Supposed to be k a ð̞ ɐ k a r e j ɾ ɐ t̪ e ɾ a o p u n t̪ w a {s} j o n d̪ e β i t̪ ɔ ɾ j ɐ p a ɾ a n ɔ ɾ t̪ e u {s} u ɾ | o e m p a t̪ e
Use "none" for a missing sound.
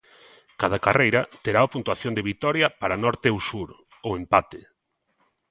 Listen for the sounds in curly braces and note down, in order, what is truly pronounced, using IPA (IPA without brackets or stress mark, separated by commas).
θ, s